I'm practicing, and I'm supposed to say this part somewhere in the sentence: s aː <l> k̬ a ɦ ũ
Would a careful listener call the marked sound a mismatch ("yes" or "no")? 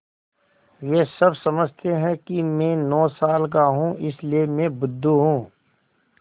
no